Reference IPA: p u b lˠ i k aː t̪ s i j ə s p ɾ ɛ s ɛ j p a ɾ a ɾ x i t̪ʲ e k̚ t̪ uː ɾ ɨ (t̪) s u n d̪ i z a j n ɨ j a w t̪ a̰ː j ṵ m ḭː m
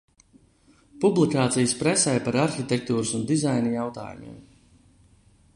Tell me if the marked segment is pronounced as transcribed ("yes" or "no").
no